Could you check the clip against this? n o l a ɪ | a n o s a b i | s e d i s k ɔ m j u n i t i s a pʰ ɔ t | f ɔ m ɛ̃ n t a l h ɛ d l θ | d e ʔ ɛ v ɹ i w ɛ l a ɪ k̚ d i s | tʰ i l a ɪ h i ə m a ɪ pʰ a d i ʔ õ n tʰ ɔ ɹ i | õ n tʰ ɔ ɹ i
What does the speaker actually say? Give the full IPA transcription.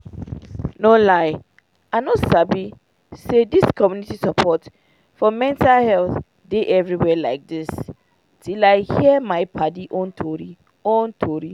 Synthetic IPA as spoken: n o l a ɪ | a n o s a b i | s e d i s k ɔ m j u n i t i s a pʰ ɔ t | f ɔ m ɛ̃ n t a l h ɛ l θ | d e ʔ ɛ v ɹ i w ɛ l a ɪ k̚ d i s | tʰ i l a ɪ h i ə m a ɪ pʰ a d i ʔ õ n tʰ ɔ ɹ i | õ n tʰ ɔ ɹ i

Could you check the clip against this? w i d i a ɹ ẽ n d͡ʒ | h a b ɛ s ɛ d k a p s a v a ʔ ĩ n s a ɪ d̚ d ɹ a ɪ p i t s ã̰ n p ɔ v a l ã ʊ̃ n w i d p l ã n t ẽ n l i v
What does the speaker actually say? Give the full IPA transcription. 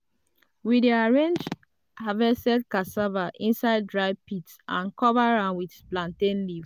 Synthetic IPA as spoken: w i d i a ɹ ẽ n d͡ʒ | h a v ɛ s ɛ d k a s a v a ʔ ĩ n s a ɪ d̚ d ɹ a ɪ p i t s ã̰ n k ɔ v a ɹ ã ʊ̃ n w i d p l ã n t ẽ n l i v

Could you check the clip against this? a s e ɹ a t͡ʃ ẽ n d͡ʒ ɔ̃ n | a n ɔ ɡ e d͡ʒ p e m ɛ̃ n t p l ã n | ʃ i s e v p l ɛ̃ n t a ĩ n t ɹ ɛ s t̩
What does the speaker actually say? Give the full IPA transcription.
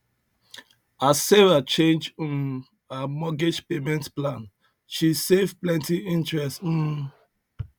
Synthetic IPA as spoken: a s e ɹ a t͡ʃ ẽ n d͡ʒ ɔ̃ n | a m ɔ ɡ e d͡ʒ p e m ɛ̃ n t p l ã n | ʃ i s e v p l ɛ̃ n t i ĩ n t ɹ ɛ s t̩

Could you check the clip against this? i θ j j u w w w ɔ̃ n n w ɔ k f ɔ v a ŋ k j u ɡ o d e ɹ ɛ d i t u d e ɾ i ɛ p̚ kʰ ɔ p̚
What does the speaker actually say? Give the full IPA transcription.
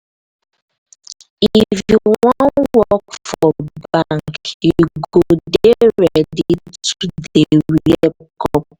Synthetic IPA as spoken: i f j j u w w w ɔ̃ n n w ɔ k f ɔ b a ŋ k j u ɡ o d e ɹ ɛ d i t u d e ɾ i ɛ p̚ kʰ ɔ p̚

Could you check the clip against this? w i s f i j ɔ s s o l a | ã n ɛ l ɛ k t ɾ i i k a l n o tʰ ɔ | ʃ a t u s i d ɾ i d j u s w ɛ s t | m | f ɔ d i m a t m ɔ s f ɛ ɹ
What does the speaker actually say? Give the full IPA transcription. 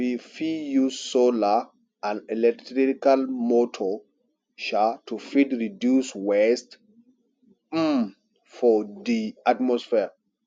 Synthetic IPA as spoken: w i f i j u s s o l a | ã n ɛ l ɛ k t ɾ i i k a l m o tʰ ɔ | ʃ a t u f i d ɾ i d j u s w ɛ s t | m | f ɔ d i a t m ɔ s f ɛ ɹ

